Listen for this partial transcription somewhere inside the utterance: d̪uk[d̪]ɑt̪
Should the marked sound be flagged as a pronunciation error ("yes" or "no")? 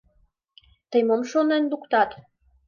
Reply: yes